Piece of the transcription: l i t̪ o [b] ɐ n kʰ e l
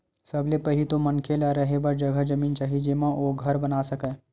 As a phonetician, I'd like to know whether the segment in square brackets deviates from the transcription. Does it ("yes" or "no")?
yes